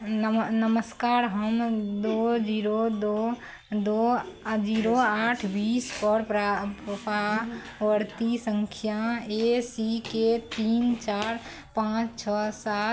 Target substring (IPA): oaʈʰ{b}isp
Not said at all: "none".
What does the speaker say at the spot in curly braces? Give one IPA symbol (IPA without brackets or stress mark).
b